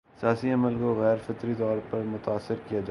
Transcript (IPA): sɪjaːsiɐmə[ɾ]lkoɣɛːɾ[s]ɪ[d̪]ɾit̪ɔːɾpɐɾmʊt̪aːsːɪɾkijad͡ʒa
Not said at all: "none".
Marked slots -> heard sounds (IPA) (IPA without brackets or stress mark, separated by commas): none, f, t̪